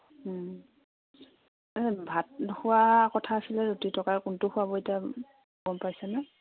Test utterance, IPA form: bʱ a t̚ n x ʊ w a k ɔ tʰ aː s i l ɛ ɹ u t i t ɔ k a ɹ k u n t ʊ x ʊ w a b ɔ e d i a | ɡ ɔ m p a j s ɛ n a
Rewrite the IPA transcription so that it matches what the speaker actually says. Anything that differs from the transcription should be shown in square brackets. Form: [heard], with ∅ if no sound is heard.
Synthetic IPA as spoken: bʱ a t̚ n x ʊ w a k ɔ tʰ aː s i l ɛ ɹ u t i t ɔ k a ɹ k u n t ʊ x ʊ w a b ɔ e [t] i a | ɡ ɔ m p a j s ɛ n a

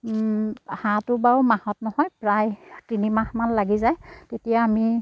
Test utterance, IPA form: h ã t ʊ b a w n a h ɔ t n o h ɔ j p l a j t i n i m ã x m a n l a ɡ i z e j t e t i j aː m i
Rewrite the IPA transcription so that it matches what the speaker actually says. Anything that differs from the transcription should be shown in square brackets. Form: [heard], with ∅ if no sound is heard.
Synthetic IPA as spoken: h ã t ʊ b a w [m] a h ɔ t n [ɔ] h ɔ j p [ɹ] a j t i n i m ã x m a n l a ɡ i z [a] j t e t i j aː m i

